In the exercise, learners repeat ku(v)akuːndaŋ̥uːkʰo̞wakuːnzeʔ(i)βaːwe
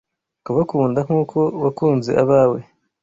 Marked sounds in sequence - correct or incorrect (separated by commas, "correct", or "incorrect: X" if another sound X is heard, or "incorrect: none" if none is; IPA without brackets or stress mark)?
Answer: incorrect: β, incorrect: a